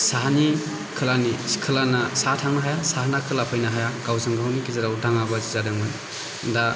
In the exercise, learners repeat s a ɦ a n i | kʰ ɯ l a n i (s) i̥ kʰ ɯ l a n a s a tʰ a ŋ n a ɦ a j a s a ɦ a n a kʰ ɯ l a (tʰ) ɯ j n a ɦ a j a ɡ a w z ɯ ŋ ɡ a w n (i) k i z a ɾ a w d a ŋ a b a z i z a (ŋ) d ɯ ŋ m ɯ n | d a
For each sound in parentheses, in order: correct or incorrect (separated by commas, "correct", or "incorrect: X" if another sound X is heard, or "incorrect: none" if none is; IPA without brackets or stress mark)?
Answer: correct, incorrect: pʰ, correct, incorrect: none